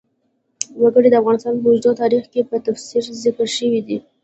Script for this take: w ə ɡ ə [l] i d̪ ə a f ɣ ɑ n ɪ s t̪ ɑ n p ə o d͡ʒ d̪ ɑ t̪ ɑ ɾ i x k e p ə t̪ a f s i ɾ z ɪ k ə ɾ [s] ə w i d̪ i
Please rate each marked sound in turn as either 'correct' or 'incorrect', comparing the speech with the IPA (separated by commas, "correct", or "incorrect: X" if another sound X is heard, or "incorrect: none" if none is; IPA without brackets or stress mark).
incorrect: ɽ, incorrect: ʃ